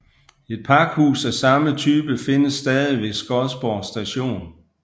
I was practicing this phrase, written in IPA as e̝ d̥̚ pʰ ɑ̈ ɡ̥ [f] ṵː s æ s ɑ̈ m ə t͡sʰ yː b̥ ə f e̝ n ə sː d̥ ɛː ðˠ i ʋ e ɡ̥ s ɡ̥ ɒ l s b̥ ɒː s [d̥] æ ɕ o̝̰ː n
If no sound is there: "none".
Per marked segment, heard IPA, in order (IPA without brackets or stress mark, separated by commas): h, d̥